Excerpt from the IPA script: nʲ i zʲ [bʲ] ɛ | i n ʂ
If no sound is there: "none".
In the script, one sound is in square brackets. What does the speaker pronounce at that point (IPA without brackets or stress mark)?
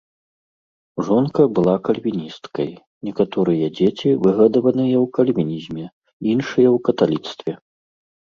mʲ